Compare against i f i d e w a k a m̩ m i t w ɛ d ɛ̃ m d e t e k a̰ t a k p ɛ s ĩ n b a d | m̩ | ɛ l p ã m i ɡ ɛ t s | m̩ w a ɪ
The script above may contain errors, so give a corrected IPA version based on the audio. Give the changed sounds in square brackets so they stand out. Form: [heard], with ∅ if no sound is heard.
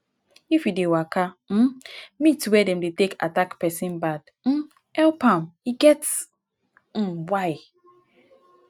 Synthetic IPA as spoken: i f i d e w a k a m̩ m i t w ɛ d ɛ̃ m d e t e k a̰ t a k p ɛ s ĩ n b a d | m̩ | ɛ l p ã m i ɡ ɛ t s | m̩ w a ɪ